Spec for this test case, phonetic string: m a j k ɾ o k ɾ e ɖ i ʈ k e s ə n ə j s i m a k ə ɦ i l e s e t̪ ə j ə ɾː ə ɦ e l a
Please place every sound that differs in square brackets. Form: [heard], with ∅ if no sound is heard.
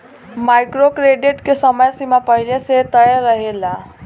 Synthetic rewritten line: m a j k ɾ o k ɾ e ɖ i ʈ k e s ə [m] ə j s i m a [p] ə ɦ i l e s e t̪ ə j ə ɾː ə ɦ e l a